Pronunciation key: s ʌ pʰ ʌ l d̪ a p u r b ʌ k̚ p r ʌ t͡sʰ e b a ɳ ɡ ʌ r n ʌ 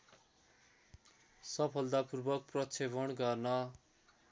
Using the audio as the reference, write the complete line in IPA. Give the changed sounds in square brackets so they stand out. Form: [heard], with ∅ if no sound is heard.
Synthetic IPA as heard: s ʌ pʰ ʌ l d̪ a p u r b ʌ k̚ p r ʌ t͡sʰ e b [ʌ] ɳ ɡ ʌ r n ʌ